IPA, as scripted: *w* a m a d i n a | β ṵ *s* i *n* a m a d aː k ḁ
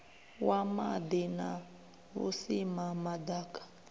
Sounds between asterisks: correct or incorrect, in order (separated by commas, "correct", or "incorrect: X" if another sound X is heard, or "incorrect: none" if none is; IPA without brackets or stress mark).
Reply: correct, correct, incorrect: m